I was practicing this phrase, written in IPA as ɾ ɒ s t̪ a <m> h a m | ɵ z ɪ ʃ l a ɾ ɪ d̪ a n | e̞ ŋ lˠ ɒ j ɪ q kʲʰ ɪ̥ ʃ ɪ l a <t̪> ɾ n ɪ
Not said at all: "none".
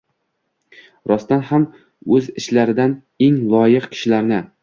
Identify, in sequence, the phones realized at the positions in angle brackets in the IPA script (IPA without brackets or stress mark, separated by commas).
n, none